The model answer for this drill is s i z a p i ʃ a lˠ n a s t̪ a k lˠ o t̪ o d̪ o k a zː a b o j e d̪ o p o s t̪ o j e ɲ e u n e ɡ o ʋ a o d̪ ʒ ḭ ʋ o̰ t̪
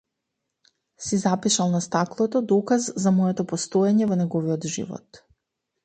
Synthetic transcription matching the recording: s i z a p i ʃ a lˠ n a s t̪ a k lˠ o t̪ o d̪ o k a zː a m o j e t̪ o p o s t̪ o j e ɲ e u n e ɡ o ʋ i o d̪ ʒ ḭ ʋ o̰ t̪